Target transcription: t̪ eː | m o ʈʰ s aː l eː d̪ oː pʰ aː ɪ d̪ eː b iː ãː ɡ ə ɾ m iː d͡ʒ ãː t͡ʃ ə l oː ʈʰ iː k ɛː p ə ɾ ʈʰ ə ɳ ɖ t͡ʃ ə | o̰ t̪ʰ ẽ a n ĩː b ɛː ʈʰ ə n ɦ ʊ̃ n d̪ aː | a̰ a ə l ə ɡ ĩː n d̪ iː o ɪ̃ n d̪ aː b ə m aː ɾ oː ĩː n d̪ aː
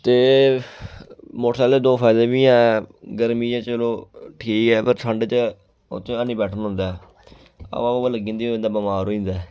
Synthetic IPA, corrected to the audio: t̪ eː | m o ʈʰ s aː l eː d̪ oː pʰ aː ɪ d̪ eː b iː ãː ɡ ə ɾ m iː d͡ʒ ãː t͡ʃ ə l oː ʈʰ iː k ɛː p ə ɾ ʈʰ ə ɳ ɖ t͡ʃ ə | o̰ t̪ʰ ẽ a n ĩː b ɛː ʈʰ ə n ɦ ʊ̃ n d̪ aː | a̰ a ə l ə ɡ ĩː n d̪ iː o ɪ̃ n d̪ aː b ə m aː ɾ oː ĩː n d̪ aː

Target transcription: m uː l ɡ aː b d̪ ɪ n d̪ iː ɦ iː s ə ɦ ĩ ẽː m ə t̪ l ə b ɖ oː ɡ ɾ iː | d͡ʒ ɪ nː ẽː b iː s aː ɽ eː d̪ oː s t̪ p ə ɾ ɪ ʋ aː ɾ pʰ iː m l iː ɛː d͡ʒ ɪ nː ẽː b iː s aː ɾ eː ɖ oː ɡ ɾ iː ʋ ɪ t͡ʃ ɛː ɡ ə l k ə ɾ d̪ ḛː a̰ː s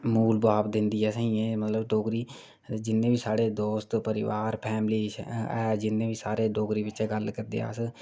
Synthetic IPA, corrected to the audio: m uː l b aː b d̪ ɪ n d̪ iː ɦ ɛː s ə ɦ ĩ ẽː m ə t̪ l ə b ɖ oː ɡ ɾ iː | d͡ʒ ɪ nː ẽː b iː s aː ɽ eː d̪ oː s t̪ p ə ɾ ɪ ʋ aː ɾ pʰ ɛː m l iː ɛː d͡ʒ ɪ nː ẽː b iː s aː ɾ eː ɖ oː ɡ ɾ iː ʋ ɪ t͡ʃ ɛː ɡ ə l k ə ɾ d̪ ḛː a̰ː s

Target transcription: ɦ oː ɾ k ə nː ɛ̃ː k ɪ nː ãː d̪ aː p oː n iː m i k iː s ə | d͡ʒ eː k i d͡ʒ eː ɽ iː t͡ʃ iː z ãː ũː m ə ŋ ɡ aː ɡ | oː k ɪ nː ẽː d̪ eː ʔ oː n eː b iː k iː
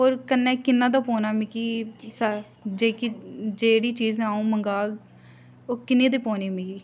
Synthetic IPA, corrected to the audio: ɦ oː ɾ k ə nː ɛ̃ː k ɪ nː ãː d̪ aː p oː n aː m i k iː s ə | d͡ʒ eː k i d͡ʒ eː ɽ iː t͡ʃ iː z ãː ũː m ə ŋ ɡ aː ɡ | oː k ɪ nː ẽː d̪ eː p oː n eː m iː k iː

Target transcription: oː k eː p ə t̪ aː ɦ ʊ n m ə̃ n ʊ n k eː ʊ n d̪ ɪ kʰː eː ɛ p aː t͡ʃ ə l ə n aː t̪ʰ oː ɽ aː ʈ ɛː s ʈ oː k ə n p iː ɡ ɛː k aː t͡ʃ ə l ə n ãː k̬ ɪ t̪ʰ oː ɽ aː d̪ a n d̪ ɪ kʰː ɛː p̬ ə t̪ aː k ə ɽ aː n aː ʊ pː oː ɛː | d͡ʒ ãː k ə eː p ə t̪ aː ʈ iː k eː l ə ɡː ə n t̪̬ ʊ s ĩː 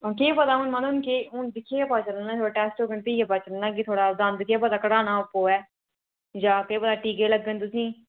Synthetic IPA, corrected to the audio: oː k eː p ə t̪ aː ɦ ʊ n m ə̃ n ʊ n k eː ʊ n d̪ ɪ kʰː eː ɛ p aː t͡ʃ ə l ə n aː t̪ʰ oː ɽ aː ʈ ɛː s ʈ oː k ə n p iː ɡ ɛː p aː t͡ʃ ə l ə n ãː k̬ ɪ t̪ʰ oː ɽ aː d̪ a n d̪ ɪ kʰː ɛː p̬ ə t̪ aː k ə ɽ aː n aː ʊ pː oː ɛː | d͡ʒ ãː k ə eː p ə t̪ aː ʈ iː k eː l ə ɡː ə n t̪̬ ʊ s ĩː

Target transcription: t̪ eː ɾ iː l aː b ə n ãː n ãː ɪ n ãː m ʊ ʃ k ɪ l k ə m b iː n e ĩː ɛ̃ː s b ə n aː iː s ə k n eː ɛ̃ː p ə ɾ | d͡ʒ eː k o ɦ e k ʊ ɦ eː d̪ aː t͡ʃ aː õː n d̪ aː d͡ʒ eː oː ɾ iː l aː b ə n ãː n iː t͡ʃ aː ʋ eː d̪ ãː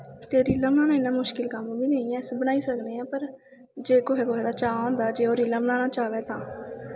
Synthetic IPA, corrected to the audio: t̪ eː ɾ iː l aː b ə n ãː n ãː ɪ n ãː m ʊ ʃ k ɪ l k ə m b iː n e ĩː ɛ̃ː s b ə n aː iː s ə k n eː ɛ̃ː p ə ɾ | d͡ʒ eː k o ɦ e k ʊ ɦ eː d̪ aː t͡ʃ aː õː n d̪ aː d͡ʒ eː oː ɾ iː l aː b ə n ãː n aː t͡ʃ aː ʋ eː t̪ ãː

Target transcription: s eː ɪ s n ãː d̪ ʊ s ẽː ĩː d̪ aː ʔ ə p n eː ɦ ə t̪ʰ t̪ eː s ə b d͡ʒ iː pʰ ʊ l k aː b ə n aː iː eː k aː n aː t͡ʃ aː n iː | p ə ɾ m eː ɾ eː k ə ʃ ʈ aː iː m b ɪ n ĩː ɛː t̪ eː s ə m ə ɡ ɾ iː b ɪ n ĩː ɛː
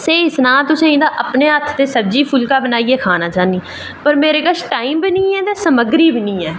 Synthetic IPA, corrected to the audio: s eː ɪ s n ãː t̪ ʊ s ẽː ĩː d̪ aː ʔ ə p n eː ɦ ə t̪ʰ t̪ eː s ə b d͡ʒ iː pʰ ʊ l k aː b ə n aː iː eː kʰ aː n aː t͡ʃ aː n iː | p ə ɾ m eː ɾ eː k ə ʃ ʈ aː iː m b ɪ n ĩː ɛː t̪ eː s ə m ə ɡ ɾ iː b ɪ n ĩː ɛː

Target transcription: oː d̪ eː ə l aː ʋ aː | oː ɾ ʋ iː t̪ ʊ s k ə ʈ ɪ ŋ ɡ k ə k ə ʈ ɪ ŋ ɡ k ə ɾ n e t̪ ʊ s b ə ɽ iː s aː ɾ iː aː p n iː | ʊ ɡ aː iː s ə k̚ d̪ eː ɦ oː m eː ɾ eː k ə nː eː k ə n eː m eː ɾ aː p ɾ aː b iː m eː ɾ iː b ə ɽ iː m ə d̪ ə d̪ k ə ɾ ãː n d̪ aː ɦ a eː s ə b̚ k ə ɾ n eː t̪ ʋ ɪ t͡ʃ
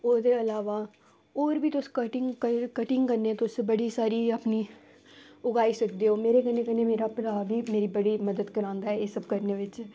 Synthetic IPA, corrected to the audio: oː d̪ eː ə l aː ʋ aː | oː ɾ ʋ iː t̪ ʊ s k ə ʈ ɪ ŋ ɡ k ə k ə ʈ ɪ ŋ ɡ k ə ɾ n e t̪ ʊ s b ə ɽ iː s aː ɾ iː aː p n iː | ʊ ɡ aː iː s ə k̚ d̪ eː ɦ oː m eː ɾ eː k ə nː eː k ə n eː m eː ɾ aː p ɾ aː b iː m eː ɾ iː b ə ɽ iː m ə d̪ ə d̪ k ə ɾ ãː n d̪ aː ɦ ɛ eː s ə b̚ k ə ɾ n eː ʋ ɪ t͡ʃ

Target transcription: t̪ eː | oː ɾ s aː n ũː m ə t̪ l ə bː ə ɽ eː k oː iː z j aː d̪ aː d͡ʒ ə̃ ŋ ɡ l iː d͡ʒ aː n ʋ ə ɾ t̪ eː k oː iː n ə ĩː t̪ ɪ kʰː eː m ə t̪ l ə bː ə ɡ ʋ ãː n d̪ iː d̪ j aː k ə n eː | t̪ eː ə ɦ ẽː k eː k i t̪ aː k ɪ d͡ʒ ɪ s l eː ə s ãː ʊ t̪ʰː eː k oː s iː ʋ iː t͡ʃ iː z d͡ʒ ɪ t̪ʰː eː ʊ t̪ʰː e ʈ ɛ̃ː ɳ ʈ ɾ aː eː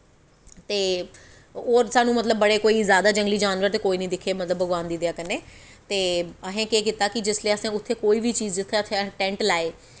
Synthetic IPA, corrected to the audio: t̪ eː | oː ɾ s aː n ũː m ə t̪ l ə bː ə ɽ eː k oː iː z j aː d̪ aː d͡ʒ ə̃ ŋ ɡ l iː d͡ʒ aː n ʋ ə ɾ t̪ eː k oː iː n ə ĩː d̪ ɪ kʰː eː m ə t̪ l ə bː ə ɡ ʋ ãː n d̪ iː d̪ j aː k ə n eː | t̪ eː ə ɦ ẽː k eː k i t̪ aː k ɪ d͡ʒ ɪ s l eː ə s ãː ʊ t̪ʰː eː k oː iː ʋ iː t͡ʃ iː z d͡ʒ ɪ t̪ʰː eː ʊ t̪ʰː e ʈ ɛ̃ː ɳ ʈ l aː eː

